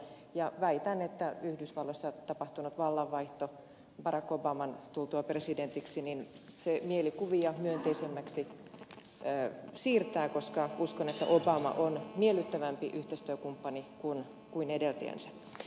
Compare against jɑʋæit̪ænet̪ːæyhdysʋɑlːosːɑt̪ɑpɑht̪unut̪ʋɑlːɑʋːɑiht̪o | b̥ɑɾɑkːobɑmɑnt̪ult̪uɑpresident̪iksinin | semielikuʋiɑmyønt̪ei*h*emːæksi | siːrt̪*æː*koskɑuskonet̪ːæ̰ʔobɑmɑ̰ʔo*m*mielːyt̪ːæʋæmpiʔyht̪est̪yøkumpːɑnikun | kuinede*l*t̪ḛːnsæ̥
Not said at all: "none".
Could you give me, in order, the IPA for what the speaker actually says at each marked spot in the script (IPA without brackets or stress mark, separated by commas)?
s, æː, n, l